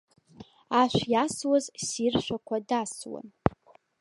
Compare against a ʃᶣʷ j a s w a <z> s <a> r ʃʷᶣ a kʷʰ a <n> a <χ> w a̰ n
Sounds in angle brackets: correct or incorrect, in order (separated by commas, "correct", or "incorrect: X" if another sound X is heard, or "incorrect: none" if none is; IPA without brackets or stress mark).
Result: correct, incorrect: i, incorrect: d, incorrect: s